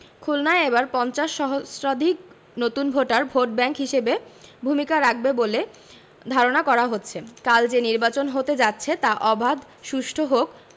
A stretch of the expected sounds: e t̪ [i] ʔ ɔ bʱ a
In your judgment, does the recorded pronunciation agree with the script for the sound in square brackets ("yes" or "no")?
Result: no